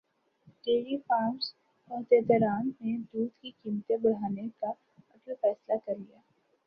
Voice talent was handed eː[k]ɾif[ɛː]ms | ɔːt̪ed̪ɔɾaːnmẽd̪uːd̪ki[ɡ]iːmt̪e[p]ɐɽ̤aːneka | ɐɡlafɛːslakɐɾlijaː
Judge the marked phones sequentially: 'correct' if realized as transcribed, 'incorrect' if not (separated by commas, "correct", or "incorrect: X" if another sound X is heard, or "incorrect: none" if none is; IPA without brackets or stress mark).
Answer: incorrect: none, incorrect: aː, incorrect: k, incorrect: b